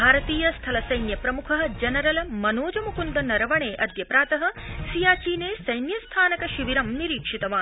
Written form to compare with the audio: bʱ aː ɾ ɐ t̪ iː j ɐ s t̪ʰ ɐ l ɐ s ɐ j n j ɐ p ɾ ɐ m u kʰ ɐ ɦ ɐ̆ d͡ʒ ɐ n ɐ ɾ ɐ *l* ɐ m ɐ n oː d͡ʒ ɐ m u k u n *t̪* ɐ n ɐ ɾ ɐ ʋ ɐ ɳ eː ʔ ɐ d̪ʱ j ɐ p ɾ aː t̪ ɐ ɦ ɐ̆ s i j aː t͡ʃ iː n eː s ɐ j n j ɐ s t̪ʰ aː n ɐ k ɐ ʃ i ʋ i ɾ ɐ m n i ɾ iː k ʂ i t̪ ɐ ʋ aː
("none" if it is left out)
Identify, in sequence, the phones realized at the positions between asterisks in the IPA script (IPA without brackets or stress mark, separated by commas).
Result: l, d̪